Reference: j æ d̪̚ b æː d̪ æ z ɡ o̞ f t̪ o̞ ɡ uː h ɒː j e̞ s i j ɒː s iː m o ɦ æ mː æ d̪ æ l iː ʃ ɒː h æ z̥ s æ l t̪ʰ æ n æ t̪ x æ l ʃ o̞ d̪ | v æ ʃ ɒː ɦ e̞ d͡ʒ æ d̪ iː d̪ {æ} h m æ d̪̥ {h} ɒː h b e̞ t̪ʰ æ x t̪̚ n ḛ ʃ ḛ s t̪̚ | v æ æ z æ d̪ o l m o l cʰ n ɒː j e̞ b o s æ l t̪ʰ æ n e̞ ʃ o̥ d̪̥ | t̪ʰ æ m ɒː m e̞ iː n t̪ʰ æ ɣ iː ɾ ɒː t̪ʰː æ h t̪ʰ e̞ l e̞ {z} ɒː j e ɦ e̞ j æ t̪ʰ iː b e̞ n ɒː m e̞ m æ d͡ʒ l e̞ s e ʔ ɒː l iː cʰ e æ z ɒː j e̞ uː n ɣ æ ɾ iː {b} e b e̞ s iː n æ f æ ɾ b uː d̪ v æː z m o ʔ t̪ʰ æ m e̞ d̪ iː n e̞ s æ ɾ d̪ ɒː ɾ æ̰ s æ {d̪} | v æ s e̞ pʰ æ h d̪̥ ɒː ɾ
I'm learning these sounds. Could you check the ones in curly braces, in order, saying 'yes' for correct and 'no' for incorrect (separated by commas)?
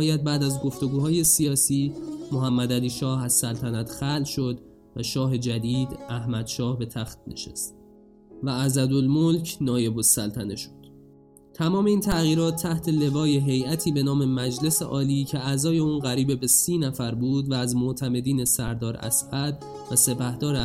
yes, no, no, yes, yes